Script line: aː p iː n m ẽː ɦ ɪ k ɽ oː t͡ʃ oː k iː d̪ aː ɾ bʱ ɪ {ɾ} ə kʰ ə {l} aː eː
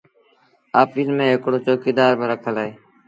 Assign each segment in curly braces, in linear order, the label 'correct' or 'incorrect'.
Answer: correct, correct

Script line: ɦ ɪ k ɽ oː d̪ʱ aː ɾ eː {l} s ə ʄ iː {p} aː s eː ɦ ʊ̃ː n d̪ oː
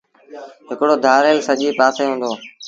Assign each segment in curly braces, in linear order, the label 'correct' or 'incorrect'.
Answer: correct, correct

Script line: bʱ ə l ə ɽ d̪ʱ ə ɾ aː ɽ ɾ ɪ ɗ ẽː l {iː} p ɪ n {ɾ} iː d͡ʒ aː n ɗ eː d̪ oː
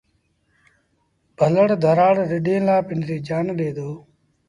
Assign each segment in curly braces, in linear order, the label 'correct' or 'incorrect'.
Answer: incorrect: aː, correct

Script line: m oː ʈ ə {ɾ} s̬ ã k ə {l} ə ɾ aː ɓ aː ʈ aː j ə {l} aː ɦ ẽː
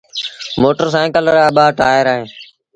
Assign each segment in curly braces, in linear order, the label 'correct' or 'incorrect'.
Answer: correct, correct, incorrect: ɾ

